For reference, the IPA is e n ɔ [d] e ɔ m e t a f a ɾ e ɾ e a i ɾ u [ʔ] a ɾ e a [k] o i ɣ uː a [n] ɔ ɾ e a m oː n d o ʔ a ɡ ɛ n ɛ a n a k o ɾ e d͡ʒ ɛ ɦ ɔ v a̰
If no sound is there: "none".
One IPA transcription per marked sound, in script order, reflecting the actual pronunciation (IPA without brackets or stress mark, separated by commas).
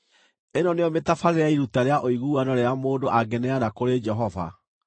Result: n, t, ʔ, n